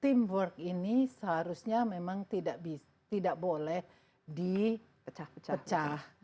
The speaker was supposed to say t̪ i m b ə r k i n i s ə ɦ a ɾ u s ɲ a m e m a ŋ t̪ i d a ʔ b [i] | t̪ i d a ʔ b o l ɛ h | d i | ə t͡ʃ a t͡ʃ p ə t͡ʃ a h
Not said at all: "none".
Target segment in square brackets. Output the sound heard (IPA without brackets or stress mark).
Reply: i